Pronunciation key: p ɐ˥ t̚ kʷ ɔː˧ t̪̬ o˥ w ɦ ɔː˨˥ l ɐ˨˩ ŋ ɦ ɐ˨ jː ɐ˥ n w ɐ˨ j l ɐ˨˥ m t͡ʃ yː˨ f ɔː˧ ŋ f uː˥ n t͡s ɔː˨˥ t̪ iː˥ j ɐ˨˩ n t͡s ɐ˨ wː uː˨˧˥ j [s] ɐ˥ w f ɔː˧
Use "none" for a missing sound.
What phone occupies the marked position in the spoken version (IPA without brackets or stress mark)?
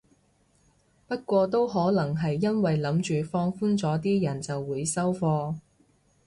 s